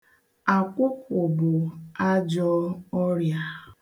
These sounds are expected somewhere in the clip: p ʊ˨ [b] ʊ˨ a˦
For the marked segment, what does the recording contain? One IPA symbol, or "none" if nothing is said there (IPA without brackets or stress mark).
b